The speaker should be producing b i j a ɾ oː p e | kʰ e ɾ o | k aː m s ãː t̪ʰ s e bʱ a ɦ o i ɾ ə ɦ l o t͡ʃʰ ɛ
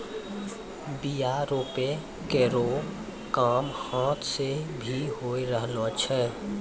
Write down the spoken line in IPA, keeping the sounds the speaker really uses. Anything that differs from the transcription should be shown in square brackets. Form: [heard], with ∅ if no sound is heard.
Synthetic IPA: b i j a ɾ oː p e | [k] e ɾ o | k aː m [h] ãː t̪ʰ s e bʱ [i] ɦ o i ɾ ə ɦ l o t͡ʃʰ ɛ